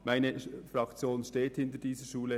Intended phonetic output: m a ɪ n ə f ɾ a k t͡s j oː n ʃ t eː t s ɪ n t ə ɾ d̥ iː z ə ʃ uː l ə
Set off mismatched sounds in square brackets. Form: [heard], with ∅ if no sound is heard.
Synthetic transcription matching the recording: m a ɪ n ə f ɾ [ɑ] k t͡s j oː n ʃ t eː t [h] ɪ n t ə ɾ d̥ iː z ə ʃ uː l ə